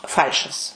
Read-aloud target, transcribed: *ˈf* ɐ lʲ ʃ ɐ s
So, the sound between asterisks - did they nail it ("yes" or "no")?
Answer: yes